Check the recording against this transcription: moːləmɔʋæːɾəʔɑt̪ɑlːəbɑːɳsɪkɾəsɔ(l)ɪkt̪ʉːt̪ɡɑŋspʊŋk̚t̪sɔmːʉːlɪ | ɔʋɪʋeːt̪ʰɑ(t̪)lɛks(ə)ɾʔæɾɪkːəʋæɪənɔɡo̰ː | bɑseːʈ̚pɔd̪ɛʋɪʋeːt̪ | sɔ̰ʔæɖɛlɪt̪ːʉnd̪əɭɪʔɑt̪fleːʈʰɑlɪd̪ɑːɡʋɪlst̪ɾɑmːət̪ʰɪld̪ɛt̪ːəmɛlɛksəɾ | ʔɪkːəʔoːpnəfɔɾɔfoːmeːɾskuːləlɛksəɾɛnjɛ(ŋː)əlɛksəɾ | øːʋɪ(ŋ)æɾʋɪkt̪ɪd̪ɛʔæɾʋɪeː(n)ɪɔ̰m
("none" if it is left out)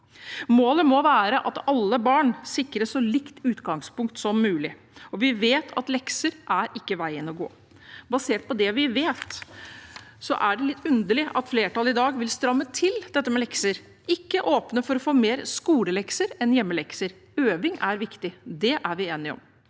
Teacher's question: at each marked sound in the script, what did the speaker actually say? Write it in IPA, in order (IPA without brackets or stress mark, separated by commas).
l, t̪, ə, mː, ŋ, n